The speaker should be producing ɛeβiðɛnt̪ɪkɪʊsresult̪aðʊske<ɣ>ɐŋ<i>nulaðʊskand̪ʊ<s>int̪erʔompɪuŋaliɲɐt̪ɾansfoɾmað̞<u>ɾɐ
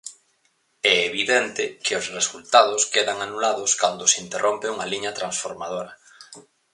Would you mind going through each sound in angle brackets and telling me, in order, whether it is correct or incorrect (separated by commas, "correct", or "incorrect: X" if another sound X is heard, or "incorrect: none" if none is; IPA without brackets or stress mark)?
incorrect: ð, incorrect: a, correct, incorrect: o